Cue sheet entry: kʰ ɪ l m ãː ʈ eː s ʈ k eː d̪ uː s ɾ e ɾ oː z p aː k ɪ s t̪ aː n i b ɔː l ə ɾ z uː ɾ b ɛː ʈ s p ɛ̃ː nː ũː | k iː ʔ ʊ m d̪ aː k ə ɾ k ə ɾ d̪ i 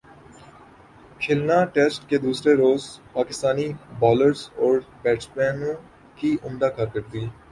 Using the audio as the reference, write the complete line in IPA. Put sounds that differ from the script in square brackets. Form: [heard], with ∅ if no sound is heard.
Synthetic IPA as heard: kʰ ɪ l [n] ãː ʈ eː s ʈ k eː d̪ uː s ɾ e ɾ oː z p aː k ɪ s t̪ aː n i b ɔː l ə ɾ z [ɔː] ɾ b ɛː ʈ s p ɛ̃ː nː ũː | k iː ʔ ʊ m d̪ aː k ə ɾ k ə ɾ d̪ [iː]